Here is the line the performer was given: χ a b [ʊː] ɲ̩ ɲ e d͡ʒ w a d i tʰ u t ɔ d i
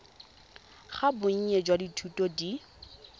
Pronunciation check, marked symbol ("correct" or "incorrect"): incorrect